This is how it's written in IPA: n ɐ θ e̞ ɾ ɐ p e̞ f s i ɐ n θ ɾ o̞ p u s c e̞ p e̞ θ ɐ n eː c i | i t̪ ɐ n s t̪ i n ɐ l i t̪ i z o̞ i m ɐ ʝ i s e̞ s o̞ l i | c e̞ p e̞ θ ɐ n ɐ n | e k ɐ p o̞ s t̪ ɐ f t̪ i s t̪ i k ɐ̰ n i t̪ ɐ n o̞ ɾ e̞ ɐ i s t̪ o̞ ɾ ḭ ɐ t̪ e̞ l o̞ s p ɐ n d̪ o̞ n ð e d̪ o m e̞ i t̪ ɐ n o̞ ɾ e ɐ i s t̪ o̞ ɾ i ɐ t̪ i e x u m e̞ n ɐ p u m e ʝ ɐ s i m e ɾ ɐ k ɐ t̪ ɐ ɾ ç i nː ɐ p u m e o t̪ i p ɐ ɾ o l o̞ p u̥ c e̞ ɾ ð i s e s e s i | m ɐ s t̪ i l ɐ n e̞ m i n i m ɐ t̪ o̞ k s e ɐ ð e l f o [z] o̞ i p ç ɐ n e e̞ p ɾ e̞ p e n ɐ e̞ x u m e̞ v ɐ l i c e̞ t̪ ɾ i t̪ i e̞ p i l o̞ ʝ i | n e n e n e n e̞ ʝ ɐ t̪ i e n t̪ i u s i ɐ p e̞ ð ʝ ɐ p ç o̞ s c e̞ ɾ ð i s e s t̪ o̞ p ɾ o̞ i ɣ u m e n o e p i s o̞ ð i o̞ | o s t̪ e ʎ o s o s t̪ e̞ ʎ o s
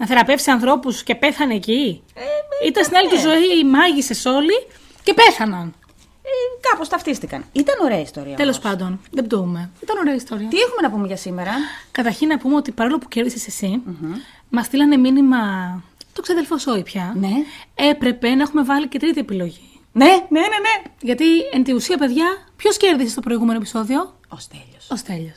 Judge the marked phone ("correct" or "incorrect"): incorrect